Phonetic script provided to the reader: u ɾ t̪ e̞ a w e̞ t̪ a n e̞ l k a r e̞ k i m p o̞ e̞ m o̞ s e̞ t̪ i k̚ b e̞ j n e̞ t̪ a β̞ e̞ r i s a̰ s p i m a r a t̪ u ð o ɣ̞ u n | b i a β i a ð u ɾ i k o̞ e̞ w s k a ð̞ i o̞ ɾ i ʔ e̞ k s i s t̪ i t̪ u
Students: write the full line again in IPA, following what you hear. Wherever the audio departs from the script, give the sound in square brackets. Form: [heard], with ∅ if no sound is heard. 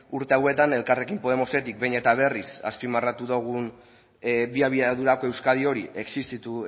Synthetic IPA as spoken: u ɾ t̪ e̞ a w e̞ t̪ a n e̞ l k a r e̞ k i m p o̞ e̞ m o̞ s e̞ t̪ i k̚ b e̞ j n e̞ t̪ a β̞ e̞ r i s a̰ s p i m a r a t̪ u ð o ɣ̞ u n | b i a β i a ð u ɾ [a] k o̞ e̞ w s k a ð̞ i o̞ ɾ i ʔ e̞ k s i s t̪ i t̪ u